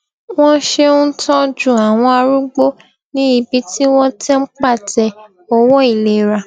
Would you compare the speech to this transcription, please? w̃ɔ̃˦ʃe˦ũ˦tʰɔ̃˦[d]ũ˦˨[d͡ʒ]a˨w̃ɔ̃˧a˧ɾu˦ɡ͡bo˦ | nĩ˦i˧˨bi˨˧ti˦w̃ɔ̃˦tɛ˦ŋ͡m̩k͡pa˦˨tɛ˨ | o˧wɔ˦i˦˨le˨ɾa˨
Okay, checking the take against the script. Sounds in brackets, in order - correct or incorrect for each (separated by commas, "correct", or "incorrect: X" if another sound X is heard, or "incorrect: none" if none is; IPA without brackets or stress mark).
incorrect: d͡ʒ, incorrect: none